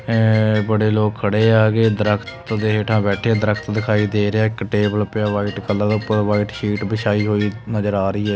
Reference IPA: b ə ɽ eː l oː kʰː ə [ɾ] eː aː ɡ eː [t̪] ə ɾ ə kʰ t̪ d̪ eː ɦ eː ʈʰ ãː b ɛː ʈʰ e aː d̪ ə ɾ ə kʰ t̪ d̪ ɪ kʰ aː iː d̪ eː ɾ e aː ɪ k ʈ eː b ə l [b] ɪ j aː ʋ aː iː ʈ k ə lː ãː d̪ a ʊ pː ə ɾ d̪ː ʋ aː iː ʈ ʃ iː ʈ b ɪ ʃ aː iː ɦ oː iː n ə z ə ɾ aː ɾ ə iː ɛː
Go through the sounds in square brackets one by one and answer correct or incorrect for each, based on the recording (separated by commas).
incorrect, incorrect, incorrect